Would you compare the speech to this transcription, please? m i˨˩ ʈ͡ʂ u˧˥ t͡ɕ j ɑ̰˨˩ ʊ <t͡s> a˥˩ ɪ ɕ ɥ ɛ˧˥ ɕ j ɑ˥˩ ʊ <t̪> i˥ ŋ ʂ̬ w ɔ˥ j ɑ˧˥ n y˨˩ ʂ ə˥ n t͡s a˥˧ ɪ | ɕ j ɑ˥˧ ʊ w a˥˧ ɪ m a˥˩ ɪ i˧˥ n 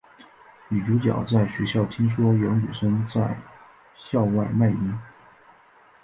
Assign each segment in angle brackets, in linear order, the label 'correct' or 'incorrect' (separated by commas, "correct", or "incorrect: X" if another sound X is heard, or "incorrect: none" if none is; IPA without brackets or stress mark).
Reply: correct, incorrect: t̪ʰ